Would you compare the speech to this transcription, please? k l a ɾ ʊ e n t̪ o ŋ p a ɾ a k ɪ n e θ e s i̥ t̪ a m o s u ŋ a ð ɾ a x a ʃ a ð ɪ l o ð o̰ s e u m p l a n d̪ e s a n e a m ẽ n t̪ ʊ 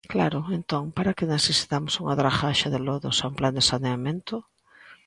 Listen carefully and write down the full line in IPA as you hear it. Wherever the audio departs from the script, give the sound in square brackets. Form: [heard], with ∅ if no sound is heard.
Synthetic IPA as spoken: k l a ɾ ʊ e n t̪ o ŋ p a ɾ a k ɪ n e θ e s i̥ t̪ a m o s u ŋ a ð ɾ a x a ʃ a ð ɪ l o ð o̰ s [a] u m p l a n d̪ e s a n e a m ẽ n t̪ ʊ